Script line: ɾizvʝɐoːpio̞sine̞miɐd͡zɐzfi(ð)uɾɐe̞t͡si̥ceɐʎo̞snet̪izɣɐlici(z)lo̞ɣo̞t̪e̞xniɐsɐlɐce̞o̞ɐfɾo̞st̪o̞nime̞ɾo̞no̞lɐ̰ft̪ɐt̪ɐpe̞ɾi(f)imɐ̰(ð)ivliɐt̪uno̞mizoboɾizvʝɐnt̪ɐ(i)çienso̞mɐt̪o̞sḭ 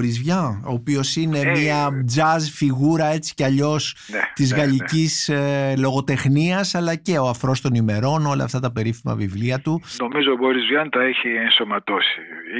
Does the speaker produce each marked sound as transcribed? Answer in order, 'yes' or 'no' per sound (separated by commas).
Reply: no, no, yes, no, no